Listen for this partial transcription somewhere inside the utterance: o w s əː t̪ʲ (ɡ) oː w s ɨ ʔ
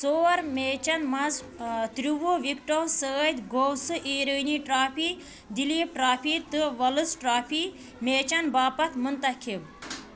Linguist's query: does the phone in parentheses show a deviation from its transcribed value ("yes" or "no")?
no